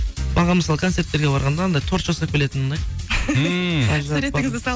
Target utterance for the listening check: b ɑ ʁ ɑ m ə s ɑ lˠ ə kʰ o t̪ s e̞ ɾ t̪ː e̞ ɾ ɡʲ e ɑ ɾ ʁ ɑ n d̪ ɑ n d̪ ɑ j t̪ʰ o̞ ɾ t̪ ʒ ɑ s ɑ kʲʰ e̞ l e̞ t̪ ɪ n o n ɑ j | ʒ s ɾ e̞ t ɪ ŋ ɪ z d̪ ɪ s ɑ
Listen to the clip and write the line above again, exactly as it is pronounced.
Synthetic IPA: b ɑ ʁ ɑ m ə s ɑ lˠ ə kʰ o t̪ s e̞ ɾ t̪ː e̞ ɾ ɡʲ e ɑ ɾ ʁ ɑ n d̪ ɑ n d̪ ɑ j t̪ʰ o̞ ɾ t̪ ʒ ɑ s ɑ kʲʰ e̞ l e̞ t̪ ɪ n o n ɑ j | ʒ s ɾ e̞ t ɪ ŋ ɪ z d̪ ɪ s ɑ